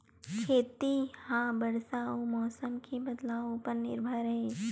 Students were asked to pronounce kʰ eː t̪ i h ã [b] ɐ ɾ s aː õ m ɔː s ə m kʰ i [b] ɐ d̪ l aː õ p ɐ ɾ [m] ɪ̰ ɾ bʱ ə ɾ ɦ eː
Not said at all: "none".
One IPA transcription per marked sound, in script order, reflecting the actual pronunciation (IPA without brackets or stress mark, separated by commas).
b, b, n